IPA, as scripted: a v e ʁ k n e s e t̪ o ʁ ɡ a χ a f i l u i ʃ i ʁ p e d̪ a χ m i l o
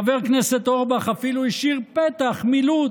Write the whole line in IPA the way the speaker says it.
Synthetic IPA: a v e ʁ k n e s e t̪ o ʁ b a χ a f i l u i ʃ i ʁ p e t̪ a χ m i l u